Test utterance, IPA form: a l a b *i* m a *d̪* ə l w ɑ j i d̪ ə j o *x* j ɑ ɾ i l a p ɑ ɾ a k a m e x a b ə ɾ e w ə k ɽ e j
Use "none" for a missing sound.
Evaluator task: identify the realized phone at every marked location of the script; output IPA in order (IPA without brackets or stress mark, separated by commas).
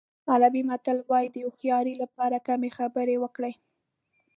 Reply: i, t̪, x